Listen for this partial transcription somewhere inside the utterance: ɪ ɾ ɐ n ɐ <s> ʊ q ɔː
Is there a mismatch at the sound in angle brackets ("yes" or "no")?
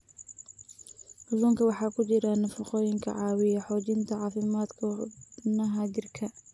yes